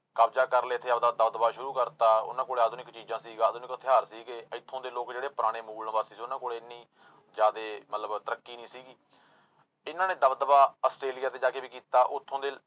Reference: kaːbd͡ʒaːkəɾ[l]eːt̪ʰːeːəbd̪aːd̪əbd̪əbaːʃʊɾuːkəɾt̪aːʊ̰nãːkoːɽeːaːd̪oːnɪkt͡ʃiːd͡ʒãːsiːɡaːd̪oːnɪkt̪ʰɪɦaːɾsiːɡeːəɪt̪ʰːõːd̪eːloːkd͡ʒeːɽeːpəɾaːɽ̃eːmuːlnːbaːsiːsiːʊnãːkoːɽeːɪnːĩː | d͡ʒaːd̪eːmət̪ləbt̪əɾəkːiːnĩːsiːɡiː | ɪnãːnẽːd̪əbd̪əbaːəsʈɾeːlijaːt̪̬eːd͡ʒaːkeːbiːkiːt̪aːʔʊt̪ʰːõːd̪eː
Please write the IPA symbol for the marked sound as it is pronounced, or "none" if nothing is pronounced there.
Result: l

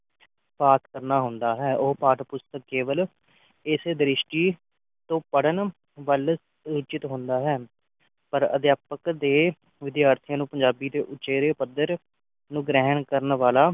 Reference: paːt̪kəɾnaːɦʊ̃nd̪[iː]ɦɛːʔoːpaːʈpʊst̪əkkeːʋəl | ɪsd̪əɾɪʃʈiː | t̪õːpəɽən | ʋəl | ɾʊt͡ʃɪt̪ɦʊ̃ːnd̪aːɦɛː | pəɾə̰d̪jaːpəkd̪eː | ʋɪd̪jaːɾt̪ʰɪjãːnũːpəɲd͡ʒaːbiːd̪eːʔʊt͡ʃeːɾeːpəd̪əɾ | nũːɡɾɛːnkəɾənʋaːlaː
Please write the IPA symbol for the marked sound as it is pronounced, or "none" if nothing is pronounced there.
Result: aː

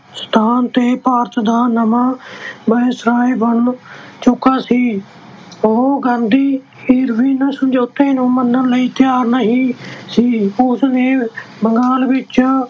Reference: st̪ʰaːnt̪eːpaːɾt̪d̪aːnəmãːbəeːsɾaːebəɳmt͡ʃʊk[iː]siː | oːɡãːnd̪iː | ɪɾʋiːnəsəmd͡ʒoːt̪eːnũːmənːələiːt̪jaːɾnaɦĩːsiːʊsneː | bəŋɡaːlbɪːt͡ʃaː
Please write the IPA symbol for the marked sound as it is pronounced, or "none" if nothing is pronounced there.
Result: aː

